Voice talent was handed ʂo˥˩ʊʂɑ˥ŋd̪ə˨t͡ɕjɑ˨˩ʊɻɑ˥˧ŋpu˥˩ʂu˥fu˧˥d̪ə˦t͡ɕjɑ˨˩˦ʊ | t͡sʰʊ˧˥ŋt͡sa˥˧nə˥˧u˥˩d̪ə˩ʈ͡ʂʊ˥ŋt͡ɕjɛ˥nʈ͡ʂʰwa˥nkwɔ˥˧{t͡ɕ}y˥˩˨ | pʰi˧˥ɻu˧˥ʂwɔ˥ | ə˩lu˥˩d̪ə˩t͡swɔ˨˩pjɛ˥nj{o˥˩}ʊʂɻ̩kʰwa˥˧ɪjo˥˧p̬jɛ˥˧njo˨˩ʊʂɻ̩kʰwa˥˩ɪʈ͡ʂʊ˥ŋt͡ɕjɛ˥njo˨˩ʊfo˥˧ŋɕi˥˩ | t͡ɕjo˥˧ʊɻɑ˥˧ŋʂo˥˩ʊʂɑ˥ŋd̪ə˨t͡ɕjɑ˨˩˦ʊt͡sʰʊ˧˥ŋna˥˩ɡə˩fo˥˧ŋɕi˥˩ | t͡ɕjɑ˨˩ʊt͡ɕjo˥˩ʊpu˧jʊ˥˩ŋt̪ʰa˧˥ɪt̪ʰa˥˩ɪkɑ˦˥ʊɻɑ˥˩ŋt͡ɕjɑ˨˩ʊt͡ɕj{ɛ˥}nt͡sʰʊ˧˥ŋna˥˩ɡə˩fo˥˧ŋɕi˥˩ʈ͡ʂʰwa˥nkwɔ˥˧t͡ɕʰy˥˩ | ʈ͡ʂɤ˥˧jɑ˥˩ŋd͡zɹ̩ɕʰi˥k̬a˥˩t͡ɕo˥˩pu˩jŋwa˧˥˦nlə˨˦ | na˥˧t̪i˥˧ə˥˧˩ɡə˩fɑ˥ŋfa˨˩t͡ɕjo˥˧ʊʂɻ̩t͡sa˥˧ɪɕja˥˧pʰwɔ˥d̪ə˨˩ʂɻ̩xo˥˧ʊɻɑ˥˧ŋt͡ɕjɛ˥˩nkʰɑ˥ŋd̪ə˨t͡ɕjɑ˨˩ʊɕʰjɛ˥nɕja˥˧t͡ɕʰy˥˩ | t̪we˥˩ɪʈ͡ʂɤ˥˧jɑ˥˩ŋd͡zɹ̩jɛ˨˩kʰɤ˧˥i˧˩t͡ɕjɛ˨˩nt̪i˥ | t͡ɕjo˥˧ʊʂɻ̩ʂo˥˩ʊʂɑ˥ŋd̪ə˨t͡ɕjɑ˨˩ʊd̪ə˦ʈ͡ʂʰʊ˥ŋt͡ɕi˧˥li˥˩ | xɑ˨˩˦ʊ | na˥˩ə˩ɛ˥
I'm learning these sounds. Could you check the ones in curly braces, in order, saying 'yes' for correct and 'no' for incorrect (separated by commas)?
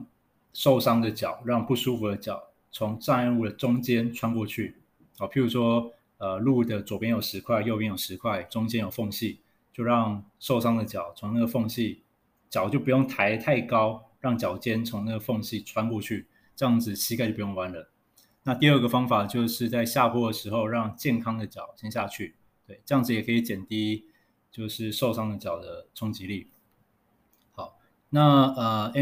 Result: no, no, yes